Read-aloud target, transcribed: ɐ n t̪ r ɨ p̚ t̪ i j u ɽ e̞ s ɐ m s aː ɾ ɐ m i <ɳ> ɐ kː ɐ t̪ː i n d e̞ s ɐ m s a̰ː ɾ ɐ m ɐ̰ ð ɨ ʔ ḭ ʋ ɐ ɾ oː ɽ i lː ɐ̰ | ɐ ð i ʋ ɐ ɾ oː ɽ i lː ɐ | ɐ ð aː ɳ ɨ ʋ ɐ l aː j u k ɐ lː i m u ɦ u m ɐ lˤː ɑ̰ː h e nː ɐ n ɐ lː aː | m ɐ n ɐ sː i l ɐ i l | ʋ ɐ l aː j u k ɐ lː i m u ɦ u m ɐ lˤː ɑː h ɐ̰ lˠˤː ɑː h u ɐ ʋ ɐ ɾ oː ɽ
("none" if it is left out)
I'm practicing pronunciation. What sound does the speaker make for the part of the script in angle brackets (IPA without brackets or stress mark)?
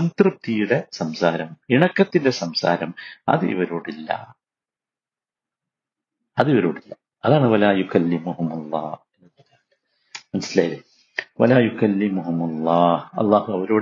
ɳ